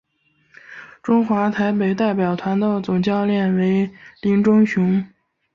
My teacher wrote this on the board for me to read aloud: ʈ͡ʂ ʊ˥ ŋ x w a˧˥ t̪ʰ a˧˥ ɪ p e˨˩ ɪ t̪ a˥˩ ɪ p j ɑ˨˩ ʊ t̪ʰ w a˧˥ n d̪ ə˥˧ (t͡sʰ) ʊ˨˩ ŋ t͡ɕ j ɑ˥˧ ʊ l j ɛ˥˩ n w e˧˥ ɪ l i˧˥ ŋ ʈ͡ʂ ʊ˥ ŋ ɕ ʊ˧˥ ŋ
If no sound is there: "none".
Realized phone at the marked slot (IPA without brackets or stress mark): t͡s